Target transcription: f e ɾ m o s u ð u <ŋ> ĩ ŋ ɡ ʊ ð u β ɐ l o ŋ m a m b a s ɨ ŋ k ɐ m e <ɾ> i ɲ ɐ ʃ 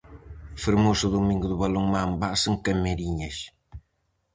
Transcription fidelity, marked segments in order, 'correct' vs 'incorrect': incorrect: m, correct

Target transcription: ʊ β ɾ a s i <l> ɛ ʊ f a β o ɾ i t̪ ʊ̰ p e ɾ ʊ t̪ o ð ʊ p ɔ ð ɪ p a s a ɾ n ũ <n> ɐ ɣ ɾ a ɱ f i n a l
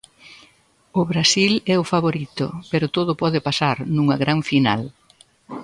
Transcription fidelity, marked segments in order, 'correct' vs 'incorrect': correct, incorrect: ŋ

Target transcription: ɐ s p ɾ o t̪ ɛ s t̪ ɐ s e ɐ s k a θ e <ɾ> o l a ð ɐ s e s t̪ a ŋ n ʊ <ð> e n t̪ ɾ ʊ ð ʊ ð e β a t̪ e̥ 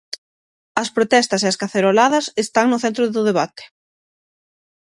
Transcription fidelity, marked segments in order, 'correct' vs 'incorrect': correct, incorrect: θ

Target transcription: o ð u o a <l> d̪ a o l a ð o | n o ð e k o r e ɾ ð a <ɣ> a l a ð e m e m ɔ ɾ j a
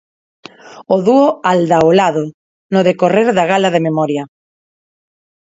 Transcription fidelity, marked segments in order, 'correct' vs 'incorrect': correct, correct

